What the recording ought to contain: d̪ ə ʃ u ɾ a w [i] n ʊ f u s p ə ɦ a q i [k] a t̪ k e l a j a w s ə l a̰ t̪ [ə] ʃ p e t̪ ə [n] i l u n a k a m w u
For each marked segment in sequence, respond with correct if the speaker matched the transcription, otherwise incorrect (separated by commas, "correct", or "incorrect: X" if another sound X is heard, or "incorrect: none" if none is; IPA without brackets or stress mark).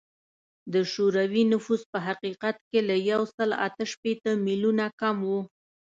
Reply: correct, incorrect: q, correct, incorrect: m